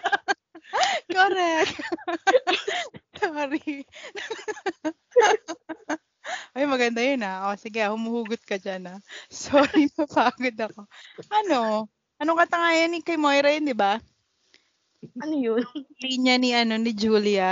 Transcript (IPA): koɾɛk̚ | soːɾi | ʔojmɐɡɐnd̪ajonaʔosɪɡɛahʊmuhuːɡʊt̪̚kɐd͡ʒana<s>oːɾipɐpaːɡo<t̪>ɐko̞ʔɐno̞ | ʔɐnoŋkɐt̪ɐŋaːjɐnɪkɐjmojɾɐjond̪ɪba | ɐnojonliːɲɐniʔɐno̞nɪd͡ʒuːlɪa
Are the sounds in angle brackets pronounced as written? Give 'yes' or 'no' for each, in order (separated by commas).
yes, no